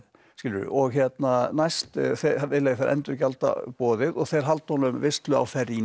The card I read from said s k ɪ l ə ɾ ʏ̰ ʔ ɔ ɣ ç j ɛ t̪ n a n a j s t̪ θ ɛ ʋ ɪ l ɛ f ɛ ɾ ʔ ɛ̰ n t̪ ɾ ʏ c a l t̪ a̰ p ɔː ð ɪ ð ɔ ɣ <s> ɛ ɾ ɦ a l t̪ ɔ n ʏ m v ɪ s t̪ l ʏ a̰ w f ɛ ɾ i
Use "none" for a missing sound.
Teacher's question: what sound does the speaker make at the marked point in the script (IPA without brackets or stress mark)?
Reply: θ